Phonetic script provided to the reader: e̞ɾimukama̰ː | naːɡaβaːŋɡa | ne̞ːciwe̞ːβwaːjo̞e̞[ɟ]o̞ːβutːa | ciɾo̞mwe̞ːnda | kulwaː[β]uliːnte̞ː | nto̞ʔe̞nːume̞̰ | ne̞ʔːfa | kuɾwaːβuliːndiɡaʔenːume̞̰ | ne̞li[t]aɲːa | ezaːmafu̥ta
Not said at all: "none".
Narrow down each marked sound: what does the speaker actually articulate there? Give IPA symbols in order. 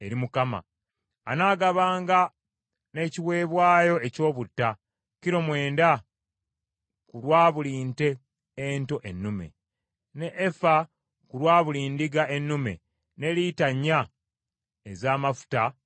c, β, t

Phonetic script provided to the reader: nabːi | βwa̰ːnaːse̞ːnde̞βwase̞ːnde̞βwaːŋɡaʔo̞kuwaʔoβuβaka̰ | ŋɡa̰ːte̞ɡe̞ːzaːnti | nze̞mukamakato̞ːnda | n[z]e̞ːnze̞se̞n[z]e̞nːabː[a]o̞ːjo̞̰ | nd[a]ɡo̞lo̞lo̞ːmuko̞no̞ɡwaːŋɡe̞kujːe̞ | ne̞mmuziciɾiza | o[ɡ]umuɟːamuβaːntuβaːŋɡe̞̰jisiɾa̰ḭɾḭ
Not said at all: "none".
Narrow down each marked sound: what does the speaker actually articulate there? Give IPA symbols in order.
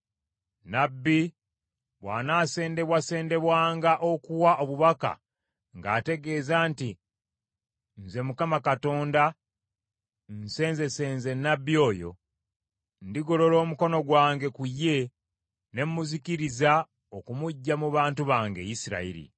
s, z, i, i, k

